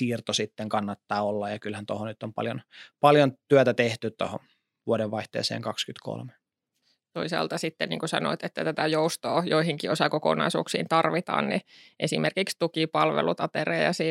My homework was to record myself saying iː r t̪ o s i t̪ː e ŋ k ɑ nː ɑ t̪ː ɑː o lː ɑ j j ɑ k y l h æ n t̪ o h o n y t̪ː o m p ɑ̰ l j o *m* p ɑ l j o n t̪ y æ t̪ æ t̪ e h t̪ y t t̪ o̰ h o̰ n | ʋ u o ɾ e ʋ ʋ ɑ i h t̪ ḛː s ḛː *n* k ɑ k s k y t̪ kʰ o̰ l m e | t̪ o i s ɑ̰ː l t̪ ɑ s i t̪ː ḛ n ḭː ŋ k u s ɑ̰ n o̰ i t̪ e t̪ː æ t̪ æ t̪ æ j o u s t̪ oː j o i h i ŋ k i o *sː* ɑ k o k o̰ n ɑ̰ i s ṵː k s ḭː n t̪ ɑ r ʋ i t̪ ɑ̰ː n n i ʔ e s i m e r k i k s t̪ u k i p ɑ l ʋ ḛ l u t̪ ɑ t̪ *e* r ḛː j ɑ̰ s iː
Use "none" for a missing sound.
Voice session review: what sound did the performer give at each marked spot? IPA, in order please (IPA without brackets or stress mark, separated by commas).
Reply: n, ŋ, s, e